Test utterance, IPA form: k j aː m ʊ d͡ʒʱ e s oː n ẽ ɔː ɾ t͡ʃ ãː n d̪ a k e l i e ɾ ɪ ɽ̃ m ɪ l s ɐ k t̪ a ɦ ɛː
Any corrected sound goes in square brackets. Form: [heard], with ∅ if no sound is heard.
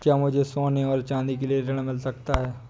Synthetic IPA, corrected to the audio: k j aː m ʊ d͡ʒʱ e s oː n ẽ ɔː ɾ t͡ʃ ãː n d̪ [i] k e l i e ɾ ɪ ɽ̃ m ɪ l s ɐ k t̪ a ɦ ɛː